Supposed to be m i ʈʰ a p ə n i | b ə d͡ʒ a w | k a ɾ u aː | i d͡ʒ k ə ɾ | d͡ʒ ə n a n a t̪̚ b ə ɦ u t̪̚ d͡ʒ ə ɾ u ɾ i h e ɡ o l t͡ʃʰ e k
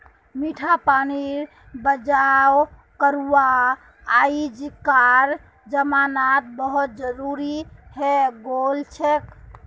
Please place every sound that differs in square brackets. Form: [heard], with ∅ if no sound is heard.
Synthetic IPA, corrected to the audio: m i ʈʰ a p [a] n i | b ə d͡ʒ a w | k [ə] ɾ u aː | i d͡ʒ k [a] ɾ | d͡ʒ ə [m] a n a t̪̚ b ə ɦ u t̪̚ d͡ʒ ə ɾ u ɾ i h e ɡ o l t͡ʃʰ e k